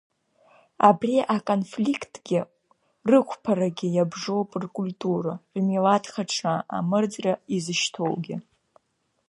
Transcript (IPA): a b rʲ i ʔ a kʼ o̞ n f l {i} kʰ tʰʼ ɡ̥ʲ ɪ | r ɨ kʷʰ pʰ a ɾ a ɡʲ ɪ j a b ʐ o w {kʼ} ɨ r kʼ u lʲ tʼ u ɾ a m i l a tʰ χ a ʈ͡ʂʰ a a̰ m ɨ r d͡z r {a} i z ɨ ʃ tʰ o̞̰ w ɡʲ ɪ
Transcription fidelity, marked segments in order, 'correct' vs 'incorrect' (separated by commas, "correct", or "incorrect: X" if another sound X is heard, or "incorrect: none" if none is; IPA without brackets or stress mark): correct, incorrect: pʼ, correct